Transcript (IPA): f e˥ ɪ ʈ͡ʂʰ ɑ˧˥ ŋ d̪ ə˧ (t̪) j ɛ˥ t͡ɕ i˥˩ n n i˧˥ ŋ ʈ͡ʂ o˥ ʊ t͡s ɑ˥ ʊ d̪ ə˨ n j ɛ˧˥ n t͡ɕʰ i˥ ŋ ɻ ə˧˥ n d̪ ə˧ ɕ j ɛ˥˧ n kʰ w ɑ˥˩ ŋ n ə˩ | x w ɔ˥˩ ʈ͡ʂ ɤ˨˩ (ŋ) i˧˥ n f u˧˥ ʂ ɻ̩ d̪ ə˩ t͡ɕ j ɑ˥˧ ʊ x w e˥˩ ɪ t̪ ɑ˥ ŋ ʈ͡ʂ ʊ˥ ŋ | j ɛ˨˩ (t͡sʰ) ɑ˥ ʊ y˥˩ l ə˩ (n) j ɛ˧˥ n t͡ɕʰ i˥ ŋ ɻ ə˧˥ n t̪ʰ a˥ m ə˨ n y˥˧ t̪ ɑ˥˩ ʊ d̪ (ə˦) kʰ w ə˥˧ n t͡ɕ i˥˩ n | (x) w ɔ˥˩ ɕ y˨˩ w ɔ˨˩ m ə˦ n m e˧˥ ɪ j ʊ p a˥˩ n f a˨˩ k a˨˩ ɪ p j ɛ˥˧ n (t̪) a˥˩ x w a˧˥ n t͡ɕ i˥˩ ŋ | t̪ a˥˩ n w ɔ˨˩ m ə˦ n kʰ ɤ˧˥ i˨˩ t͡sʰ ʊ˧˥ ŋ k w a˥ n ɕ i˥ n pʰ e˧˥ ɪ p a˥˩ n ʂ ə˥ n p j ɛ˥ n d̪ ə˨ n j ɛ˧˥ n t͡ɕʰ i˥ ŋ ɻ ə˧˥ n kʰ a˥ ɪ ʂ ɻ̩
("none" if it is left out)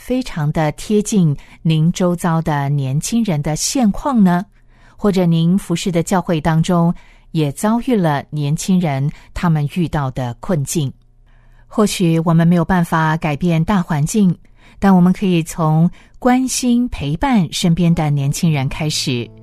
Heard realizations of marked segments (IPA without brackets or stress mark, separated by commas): t̪ʰ, n, t͡s, n, ə˩, x, t̪